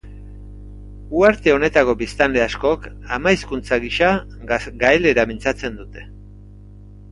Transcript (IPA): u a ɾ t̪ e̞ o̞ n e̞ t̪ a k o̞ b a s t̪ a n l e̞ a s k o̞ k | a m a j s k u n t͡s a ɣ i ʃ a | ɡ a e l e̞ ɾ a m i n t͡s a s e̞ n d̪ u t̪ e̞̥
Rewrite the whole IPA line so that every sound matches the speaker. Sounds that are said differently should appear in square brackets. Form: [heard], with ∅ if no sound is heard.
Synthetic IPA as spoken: u a ɾ t̪ e̞ o̞ n e̞ t̪ a k o̞ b [i] s t̪ a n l e̞ a s k o̞ k | a m a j s k u n t͡s a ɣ i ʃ a | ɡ a e l e̞ ɾ a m i n t͡s a [t͡s] e̞ n d̪ u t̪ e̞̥

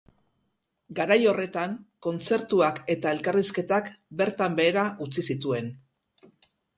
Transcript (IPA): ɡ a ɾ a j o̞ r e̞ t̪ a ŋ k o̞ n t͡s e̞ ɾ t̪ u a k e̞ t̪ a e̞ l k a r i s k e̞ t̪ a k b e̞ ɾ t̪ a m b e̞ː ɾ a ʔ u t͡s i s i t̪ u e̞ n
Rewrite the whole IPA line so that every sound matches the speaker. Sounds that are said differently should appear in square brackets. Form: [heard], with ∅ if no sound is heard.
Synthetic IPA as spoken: ɡ a ɾ a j o̞ r e̞ t̪ a ŋ k o̞ n t͡s e̞ ɾ t̪ u a k e̞ t̪ a e̞ l k a r i s k e̞ t̪ a k b e̞ ɾ t̪ a m b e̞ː ɾ a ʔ u t͡s i s i t̪ u e̞ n

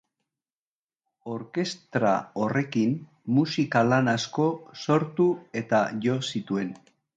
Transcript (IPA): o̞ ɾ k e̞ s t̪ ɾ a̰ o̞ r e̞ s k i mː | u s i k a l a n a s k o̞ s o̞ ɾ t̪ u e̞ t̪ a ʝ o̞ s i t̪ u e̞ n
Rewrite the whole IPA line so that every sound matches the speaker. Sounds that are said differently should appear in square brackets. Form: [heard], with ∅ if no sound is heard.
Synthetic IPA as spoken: o̞ ɾ k e̞ s t̪ ɾ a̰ o̞ r e̞ [∅] k i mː | u s i k a l a n a s k o̞ s o̞ ɾ t̪ u e̞ t̪ a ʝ o̞ s i t̪ u e̞ n

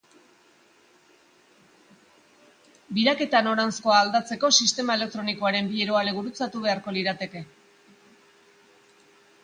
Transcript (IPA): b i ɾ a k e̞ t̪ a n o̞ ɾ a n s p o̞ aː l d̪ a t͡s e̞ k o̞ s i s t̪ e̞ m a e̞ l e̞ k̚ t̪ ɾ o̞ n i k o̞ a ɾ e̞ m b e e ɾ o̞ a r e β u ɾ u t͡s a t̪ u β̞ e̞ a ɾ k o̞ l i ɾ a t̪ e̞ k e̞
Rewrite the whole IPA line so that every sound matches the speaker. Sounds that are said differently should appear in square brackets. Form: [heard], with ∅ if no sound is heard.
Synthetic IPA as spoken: b i ɾ a k e̞ t̪ a n o̞ ɾ a n s [k] o̞ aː l d̪ a t͡s e̞ k o̞ s i s t̪ e̞ m a e̞ l e̞ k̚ t̪ ɾ o̞ n i k o̞ a ɾ e̞ m b [i] e ɾ o̞ a [l] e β u ɾ u t͡s a t̪ u β̞ e̞ a ɾ k o̞ l i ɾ a t̪ e̞ k e̞

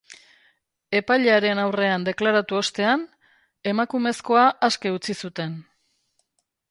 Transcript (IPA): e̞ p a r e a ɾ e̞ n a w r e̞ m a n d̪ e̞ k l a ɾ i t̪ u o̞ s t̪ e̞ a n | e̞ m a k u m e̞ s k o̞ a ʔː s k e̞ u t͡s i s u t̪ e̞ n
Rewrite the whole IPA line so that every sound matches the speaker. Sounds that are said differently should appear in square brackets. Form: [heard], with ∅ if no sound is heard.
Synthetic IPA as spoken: e̞ p a [ʎ] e a ɾ e̞ n a w r e̞ [∅] a n d̪ e̞ k l a ɾ [a] t̪ u o̞ s t̪ e̞ a n | e̞ m a k u m e̞ s k o̞ a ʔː s k e̞ u t͡s i s u t̪ e̞ n

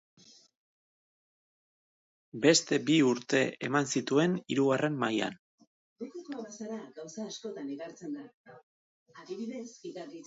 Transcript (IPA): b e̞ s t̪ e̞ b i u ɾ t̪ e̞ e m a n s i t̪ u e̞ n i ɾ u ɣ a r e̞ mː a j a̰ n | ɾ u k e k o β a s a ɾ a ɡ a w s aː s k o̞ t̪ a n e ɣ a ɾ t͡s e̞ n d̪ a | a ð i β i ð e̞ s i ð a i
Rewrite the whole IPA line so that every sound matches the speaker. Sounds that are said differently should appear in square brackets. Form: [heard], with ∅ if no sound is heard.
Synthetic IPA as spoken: b e̞ s t̪ e̞ b i u ɾ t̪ e̞ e m a n s i t̪ u e̞ n i ɾ u ɣ a r e̞ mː a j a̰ n | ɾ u k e k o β a s a ɾ a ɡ a w s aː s k o̞ t̪ a n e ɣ a ɾ t͡s e̞ n d̪ a | a ð i β i ð e̞ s i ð a i

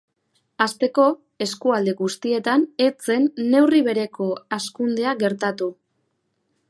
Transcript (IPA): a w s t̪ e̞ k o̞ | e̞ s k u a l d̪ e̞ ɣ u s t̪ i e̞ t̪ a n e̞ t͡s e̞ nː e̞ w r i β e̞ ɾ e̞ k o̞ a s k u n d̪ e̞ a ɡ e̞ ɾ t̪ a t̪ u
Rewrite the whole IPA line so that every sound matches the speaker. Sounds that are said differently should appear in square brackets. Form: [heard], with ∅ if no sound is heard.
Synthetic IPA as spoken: a [∅] s t̪ e̞ k o̞ | e̞ s k u a l d̪ e̞ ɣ u s t̪ i e̞ t̪ a n e̞ t͡s e̞ nː e̞ w r i β e̞ ɾ e̞ k o̞ a s k u n d̪ e̞ a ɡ e̞ ɾ t̪ a t̪ u

